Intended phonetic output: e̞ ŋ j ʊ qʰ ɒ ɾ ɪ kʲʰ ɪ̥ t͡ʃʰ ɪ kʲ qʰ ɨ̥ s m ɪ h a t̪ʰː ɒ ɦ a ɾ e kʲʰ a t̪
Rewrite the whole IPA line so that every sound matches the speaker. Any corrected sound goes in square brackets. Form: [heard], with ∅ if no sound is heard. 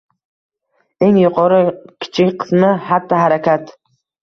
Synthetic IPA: e̞ ŋ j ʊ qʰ ɒ ɾ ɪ kʲʰ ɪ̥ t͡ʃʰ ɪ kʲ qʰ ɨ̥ s m ɪ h a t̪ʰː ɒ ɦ a ɾ [a] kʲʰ a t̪